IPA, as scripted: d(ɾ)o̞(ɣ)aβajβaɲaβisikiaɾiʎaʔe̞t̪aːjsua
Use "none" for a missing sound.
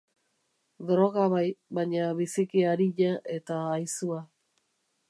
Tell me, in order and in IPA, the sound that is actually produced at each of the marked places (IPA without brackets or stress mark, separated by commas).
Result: ɾ, ɣ